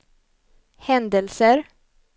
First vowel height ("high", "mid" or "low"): mid